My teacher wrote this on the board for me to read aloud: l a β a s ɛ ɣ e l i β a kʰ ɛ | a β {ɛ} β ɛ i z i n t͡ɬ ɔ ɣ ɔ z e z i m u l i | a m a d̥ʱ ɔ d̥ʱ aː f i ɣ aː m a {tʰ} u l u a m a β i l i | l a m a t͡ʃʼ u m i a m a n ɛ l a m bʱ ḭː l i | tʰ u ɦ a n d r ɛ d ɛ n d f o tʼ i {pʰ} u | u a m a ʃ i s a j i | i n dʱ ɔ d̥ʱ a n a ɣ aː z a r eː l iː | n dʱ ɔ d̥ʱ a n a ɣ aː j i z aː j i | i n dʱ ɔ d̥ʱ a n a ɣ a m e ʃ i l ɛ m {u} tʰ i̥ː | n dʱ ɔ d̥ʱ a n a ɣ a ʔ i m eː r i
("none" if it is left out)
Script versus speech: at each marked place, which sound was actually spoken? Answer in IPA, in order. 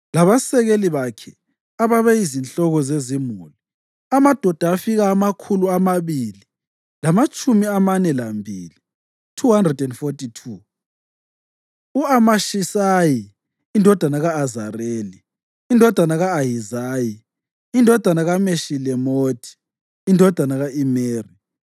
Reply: a, kʰ, tʰ, o

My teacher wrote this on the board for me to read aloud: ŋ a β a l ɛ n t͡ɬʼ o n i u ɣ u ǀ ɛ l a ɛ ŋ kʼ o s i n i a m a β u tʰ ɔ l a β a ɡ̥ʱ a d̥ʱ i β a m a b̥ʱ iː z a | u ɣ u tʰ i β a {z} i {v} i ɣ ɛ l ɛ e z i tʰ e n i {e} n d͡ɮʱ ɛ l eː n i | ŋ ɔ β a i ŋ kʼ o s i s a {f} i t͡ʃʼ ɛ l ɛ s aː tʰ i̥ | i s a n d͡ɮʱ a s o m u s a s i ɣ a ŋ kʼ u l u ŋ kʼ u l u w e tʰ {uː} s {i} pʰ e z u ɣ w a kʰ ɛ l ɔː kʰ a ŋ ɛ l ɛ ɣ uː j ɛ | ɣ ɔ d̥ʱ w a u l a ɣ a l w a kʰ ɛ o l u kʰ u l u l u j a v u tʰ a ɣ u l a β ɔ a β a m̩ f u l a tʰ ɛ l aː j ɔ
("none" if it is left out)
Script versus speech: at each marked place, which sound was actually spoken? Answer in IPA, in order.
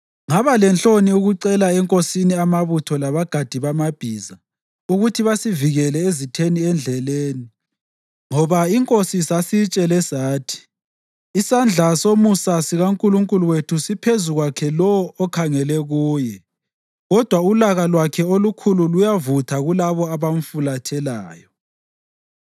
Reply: s, v, ɛ, s, u, i

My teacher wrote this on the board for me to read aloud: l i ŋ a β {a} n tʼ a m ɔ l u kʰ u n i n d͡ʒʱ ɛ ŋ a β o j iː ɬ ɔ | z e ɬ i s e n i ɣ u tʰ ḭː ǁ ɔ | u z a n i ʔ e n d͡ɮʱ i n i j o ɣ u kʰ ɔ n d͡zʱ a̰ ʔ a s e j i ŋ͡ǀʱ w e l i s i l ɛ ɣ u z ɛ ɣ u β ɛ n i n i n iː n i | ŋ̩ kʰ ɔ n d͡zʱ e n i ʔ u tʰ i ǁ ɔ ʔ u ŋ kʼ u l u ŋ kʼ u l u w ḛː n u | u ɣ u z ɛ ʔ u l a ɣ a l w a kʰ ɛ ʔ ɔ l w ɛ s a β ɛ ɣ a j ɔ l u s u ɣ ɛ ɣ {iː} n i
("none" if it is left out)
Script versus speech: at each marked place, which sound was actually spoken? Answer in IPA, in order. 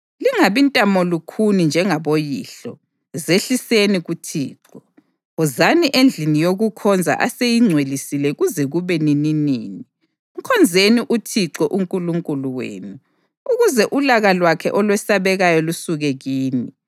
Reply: i, iː

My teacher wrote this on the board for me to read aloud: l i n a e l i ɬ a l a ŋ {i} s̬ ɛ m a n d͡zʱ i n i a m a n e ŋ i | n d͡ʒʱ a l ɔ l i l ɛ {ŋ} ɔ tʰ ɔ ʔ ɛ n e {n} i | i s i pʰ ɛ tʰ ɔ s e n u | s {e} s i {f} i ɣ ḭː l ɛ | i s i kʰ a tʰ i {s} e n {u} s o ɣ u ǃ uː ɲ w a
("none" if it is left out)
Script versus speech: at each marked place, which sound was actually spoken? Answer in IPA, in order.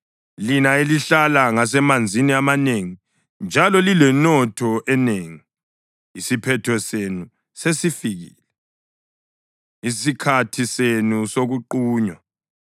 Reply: a, n, ŋ, e, f, s, u

